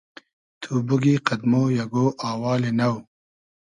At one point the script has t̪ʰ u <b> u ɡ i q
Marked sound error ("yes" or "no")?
no